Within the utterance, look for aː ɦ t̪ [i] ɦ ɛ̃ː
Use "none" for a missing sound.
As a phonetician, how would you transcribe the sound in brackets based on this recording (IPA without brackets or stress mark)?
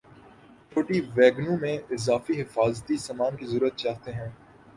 e